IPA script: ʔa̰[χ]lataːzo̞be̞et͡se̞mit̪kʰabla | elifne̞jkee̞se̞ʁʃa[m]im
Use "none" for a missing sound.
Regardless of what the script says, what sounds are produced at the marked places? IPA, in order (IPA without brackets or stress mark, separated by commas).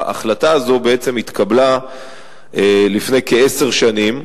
χ, n